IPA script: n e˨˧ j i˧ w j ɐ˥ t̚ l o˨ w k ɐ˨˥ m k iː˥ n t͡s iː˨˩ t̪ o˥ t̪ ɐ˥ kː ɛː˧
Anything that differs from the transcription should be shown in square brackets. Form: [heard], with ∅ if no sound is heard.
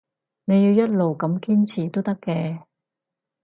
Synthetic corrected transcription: n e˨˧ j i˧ w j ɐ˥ t̚ l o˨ w k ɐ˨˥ m k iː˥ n [t͡sʰ] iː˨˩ t̪ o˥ t̪ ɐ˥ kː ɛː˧